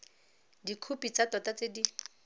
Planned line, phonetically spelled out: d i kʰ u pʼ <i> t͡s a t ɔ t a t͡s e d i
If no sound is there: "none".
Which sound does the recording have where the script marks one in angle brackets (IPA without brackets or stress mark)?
i